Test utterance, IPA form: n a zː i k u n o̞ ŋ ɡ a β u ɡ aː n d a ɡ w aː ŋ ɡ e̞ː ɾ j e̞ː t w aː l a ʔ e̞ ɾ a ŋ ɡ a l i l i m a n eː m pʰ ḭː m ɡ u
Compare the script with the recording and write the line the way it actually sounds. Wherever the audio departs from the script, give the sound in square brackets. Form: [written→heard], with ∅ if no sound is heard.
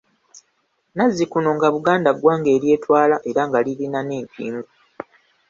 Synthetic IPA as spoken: n a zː i k u n o̞ ŋ ɡ a β u ɡ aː n d a ɡ w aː ŋ ɡ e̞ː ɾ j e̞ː t w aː l a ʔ e̞ ɾ a ŋ ɡ a l i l i [m→n] a n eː m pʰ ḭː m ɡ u

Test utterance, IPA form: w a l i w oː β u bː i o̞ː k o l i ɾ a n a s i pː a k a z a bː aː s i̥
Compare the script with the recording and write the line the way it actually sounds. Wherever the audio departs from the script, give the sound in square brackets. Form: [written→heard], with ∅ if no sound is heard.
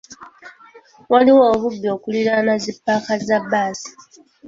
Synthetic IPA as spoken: w a l i w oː β u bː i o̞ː k [o→u] l i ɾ a n a [s→z] i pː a k a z a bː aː s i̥

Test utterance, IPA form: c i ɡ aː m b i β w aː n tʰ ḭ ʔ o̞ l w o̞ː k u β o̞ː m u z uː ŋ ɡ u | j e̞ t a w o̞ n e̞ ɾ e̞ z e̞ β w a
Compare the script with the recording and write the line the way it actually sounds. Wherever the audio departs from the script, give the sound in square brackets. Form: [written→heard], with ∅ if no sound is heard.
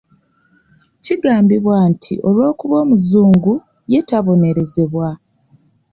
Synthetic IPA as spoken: c i ɡ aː m b i β w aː n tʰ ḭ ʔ o̞ l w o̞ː k u β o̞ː m u z uː ŋ ɡ u | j e̞ t a [w→β] o̞ n e̞ ɾ e̞ z e̞ β w a

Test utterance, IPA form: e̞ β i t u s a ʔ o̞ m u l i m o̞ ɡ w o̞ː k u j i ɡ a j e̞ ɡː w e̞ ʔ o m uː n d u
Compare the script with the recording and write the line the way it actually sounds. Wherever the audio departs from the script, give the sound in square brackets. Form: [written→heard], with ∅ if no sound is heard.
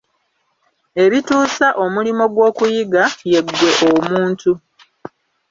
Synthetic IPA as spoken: e̞ β i t [u→uː] s a ʔ o̞ m u l i m o̞ ɡ w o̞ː k u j i ɡ a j e̞ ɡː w e̞ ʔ o m uː n [d→t] u

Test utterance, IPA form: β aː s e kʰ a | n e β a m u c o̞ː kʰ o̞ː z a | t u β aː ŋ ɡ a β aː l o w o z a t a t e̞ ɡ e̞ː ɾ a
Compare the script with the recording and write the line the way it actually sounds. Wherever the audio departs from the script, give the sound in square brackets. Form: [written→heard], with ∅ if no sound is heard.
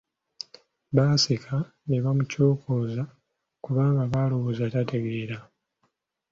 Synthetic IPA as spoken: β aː s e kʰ a | n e β a m u c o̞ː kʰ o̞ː z a | [t→k] u β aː ŋ ɡ a β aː l o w o z a t a t e̞ ɡ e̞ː ɾ a

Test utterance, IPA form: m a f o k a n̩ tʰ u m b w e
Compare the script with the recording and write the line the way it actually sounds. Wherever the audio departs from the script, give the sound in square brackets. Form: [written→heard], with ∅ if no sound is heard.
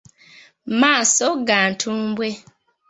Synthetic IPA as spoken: m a [f→s] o [k→ɡ] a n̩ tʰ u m b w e

